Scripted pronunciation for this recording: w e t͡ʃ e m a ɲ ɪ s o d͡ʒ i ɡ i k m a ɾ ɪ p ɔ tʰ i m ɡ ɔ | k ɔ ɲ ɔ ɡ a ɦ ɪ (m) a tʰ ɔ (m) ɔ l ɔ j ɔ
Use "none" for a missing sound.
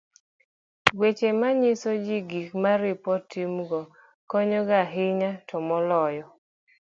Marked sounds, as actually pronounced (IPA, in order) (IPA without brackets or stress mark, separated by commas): ɲ, m